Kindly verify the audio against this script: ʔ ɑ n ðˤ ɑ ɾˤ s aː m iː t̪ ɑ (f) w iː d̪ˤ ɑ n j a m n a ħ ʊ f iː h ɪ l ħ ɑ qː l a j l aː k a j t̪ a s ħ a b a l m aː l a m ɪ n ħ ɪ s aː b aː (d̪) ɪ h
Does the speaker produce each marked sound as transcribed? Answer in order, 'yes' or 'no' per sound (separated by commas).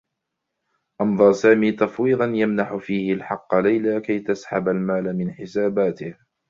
yes, no